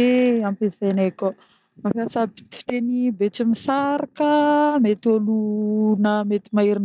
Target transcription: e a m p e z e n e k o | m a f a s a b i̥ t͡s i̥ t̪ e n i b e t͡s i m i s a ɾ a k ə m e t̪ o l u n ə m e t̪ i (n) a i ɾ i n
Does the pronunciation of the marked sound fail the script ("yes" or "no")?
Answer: yes